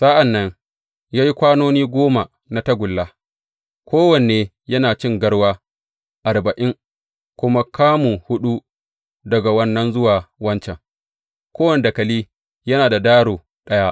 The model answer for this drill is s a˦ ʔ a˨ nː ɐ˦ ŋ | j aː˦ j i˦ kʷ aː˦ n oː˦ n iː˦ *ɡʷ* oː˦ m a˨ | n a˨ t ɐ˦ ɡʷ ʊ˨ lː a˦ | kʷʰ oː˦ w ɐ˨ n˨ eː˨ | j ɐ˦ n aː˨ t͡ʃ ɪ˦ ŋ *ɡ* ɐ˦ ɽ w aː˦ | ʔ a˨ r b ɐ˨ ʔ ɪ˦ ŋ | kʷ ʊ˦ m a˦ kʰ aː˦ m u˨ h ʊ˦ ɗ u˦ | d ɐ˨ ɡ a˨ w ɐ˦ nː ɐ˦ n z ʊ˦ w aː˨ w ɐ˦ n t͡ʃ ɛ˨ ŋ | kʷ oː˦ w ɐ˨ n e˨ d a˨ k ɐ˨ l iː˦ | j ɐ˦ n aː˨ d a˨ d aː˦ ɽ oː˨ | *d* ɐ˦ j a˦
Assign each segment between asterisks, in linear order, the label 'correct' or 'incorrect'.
correct, correct, incorrect: ɗ

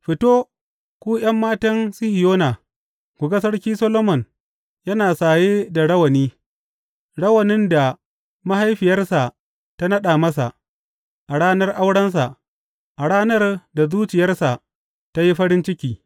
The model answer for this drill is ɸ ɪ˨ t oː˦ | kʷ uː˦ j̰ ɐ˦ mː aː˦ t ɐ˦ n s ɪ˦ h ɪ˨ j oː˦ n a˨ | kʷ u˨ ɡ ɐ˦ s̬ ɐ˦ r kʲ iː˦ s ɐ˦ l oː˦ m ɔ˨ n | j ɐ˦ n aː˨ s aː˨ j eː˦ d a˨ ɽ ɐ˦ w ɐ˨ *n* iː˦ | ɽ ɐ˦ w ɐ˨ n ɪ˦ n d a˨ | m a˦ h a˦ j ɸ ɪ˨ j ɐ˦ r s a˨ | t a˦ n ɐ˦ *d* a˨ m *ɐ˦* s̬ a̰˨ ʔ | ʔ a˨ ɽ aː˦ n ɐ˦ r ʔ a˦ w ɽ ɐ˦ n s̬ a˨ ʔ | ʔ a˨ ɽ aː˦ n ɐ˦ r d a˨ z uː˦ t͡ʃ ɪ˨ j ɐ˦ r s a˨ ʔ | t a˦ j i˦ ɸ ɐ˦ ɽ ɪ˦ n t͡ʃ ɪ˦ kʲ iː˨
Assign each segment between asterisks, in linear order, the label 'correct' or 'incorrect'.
correct, incorrect: ɗ, correct

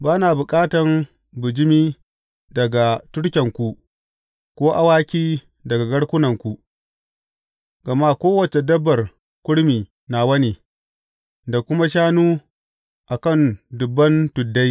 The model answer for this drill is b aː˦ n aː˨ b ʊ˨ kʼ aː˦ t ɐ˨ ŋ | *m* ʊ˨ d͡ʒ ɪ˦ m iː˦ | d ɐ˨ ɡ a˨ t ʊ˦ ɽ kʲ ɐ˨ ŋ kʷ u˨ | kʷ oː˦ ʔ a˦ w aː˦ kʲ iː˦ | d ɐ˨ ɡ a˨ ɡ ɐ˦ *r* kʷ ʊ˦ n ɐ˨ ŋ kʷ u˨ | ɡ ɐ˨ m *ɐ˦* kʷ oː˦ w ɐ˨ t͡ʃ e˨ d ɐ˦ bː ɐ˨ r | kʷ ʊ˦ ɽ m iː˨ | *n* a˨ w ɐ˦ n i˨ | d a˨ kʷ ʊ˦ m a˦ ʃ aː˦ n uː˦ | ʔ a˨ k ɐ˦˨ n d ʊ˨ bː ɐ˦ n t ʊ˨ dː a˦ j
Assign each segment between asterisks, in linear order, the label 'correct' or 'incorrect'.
incorrect: b, incorrect: ɽ, incorrect: a˦, correct

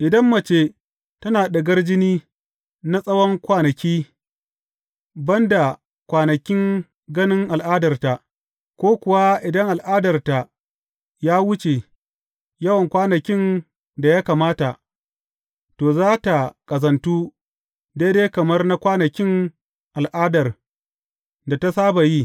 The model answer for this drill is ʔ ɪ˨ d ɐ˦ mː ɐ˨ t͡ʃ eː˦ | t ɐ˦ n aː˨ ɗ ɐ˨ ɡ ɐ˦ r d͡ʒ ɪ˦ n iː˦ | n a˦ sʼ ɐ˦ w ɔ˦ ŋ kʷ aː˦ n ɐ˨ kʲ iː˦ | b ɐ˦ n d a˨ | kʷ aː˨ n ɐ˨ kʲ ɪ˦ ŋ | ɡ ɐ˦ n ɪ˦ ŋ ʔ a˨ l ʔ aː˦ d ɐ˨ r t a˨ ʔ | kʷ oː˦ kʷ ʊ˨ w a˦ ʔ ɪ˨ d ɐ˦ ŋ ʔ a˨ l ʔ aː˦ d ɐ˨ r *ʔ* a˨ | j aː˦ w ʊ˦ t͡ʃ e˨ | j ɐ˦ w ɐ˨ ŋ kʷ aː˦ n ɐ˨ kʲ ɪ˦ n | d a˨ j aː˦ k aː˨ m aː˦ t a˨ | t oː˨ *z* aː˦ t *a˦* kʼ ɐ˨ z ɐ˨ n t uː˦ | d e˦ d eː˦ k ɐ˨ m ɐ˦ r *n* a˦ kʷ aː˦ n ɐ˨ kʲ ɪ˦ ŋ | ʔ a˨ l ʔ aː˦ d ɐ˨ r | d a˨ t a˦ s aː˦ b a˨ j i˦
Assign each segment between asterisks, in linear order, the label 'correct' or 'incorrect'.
incorrect: t, correct, incorrect: a˨, correct

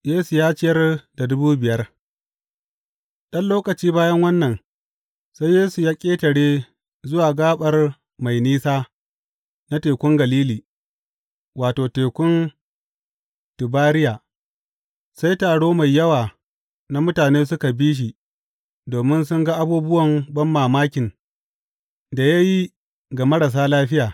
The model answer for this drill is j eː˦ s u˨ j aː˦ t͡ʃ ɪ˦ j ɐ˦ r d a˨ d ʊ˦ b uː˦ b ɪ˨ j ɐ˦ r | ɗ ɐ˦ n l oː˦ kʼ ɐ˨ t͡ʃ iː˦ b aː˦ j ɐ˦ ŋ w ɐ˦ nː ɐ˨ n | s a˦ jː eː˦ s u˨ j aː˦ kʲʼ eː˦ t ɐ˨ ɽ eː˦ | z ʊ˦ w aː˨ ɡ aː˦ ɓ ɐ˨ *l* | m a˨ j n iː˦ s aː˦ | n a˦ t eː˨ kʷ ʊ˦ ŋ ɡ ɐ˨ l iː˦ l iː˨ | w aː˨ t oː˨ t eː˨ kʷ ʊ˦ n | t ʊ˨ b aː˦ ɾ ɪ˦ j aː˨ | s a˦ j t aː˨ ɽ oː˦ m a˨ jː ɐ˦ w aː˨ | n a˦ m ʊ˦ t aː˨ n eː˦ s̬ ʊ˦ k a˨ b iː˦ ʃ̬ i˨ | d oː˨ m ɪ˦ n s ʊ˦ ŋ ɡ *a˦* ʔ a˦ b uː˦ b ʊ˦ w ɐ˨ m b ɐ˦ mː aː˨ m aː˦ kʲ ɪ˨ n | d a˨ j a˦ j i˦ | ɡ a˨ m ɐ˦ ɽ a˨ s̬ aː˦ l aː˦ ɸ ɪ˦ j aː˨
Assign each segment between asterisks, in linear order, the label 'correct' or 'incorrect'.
incorrect: r, correct

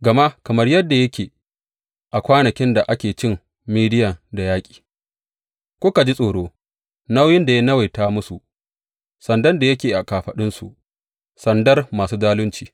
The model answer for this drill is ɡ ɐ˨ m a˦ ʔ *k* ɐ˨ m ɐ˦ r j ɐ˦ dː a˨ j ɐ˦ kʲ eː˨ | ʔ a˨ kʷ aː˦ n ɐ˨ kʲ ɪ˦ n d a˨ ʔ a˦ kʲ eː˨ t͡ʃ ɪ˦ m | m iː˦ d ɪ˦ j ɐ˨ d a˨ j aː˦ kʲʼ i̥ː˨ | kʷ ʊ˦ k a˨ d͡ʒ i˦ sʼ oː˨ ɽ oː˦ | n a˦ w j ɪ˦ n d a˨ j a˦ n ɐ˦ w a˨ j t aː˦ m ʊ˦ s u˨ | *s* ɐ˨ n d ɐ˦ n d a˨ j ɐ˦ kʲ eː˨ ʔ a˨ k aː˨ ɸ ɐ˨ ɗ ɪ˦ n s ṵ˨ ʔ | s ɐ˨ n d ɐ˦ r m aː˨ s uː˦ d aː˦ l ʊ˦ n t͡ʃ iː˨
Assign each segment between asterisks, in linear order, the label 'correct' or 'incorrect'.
correct, correct

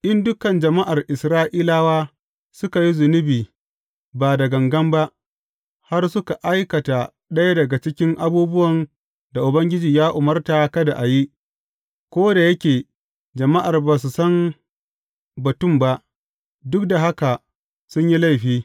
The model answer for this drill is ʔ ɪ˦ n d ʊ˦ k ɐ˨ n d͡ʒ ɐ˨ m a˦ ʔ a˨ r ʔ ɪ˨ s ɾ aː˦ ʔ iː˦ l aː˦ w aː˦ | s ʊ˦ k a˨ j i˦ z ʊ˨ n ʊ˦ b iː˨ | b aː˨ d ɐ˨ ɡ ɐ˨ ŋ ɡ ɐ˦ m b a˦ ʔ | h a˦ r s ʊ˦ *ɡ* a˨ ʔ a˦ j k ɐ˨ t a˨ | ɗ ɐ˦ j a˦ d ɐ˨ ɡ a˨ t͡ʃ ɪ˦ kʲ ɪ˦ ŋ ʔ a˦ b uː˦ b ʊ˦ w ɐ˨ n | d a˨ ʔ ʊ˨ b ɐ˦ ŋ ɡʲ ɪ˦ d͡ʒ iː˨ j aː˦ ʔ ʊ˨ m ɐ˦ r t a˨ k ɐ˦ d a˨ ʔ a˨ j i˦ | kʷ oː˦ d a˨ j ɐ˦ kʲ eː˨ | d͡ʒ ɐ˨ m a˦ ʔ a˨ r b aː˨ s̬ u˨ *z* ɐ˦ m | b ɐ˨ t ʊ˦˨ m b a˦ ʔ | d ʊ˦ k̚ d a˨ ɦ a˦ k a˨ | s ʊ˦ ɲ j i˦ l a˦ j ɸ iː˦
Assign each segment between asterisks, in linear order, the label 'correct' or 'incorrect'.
incorrect: k, incorrect: s

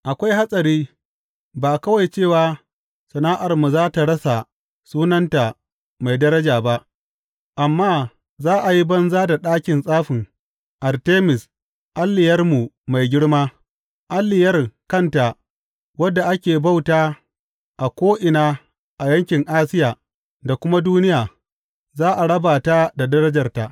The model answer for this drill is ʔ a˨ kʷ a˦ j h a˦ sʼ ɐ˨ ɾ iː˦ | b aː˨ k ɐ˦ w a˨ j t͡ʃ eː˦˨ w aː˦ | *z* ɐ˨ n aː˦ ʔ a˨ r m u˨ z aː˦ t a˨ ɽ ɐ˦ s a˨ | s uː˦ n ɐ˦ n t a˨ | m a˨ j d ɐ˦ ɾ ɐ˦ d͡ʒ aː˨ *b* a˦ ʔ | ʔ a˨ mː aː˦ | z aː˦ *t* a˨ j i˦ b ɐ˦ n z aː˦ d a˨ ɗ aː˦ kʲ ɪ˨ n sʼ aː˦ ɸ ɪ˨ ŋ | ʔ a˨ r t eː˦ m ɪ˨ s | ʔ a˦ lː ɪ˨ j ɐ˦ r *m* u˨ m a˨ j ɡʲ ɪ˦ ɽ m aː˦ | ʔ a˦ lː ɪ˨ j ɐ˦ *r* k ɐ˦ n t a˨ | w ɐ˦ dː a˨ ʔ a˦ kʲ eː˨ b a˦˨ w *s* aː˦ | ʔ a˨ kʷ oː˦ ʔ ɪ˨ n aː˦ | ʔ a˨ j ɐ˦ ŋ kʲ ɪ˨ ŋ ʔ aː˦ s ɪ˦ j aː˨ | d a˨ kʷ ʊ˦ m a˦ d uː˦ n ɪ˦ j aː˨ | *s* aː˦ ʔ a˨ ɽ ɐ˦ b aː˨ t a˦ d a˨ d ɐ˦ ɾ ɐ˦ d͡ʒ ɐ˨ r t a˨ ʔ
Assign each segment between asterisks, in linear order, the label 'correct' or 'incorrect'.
incorrect: s, correct, incorrect: ʔ, correct, correct, incorrect: t, incorrect: z

